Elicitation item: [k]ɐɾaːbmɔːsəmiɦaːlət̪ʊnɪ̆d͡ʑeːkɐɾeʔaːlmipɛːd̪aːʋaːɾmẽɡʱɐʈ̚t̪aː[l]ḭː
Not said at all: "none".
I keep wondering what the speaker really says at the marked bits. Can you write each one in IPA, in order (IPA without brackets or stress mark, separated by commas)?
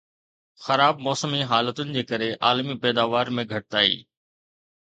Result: x, none